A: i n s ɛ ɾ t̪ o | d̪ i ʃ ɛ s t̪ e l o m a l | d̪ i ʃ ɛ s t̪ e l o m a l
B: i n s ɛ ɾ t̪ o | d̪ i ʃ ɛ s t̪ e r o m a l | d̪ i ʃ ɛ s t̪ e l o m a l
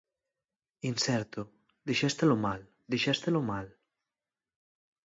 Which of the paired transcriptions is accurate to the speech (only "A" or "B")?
A